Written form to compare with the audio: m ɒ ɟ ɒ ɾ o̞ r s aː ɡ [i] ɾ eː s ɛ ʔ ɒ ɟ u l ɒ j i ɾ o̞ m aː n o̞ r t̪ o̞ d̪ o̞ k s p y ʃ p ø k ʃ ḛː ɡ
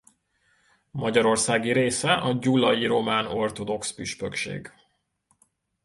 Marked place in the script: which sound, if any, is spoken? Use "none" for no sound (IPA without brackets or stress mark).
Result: i